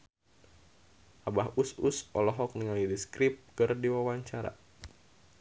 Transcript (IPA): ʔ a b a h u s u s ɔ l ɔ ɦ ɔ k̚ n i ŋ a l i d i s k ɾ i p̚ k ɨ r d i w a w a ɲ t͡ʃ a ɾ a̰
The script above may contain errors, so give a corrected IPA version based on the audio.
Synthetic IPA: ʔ a b a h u s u s ɔ l ɔ ɦ ɔ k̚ n i ŋ a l i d i s k ɾ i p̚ k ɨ r d i w a w a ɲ t͡ʃ a ɾ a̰